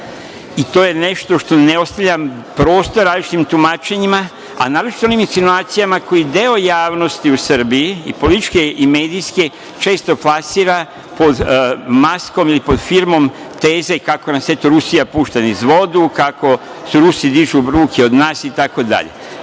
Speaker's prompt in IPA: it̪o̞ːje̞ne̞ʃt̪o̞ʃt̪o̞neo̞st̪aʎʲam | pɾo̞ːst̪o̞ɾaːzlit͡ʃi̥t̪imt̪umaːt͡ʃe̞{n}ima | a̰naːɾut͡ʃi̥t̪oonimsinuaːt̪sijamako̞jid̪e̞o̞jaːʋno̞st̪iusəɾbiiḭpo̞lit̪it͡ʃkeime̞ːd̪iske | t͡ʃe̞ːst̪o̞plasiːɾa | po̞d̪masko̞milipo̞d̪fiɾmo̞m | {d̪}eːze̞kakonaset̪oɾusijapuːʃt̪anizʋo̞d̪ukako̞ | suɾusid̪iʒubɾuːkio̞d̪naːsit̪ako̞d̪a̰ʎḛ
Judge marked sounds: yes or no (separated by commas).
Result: no, no